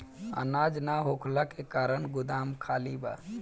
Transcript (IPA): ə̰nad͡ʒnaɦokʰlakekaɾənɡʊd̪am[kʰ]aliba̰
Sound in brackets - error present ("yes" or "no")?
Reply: no